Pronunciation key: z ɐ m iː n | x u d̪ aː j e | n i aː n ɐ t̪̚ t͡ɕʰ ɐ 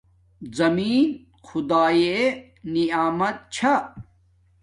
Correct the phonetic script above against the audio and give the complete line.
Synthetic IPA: z ɐ m iː n | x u d̪ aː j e | n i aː m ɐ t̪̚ t͡ɕʰ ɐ